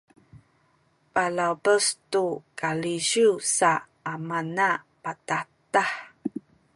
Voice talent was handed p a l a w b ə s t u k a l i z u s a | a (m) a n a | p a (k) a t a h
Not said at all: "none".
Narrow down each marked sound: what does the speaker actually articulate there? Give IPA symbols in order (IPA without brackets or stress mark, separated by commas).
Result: m, t